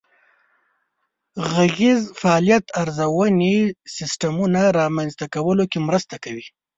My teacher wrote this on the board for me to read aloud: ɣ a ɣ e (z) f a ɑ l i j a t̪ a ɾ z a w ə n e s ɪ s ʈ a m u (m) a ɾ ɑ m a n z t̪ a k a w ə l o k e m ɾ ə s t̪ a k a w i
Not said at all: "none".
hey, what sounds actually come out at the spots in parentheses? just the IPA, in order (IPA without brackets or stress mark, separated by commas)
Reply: z, n